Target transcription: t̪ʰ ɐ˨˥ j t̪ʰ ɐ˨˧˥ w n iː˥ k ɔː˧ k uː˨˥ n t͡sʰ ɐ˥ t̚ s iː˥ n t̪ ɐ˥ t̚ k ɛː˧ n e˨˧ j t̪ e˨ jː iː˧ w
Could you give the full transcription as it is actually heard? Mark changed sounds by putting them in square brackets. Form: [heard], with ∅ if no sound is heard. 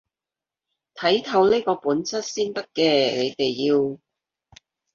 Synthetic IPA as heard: t̪ʰ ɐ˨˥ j t̪ʰ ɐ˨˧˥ w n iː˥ k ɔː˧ [p] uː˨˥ n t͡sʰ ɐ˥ t̚ s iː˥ n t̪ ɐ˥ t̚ k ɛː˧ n e˨˧ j t̪ e˨ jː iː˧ w